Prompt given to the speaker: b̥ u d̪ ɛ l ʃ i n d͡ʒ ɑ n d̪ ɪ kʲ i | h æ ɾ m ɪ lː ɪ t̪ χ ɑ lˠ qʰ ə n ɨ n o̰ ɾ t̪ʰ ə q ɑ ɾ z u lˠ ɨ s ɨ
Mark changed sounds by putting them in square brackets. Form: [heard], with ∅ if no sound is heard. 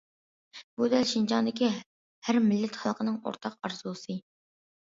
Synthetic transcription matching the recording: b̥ u d̪ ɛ l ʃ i n d͡ʒ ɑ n d̪ ɪ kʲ i | h æ ɾ m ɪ lː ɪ t̪ χ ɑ lˠ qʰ ə n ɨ [ŋ] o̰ ɾ t̪ʰ [ɑ] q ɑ ɾ z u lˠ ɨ s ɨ